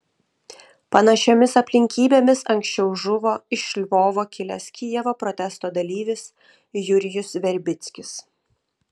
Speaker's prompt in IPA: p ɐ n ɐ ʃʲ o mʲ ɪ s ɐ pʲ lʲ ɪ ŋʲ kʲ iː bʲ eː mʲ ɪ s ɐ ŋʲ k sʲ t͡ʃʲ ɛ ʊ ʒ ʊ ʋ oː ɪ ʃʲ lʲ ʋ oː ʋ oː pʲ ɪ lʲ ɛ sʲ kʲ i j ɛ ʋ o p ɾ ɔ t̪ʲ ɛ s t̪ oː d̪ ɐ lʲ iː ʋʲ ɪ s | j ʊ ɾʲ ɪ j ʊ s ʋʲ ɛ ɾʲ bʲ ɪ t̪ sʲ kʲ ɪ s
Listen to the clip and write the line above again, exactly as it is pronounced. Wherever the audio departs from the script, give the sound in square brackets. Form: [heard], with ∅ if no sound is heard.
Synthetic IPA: p ɐ n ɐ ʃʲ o mʲ ɪ s ɐ pʲ lʲ ɪ ŋʲ kʲ iː bʲ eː mʲ ɪ s ɐ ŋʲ k sʲ t͡ʃʲ ɛ ʊ ʒ ʊ ʋ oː ɪ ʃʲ lʲ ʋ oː ʋ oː [kʲ] ɪ lʲ ɛ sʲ kʲ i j ɛ ʋ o p ɾ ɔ t̪ʲ ɛ s t̪ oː d̪ ɐ lʲ iː ʋʲ ɪ s | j ʊ ɾʲ ɪ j ʊ s ʋʲ ɛ ɾʲ bʲ ɪ t̪ sʲ kʲ ɪ s